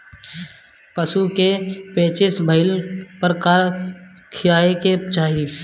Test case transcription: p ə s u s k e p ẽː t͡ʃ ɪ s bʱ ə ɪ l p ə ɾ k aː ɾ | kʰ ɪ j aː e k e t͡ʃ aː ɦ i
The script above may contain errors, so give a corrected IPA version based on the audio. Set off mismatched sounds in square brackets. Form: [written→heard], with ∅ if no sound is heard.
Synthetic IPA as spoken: p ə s u [s→∅] k e p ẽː t͡ʃ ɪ s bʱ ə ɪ l p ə ɾ k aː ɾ | kʰ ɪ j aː e k e t͡ʃ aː ɦ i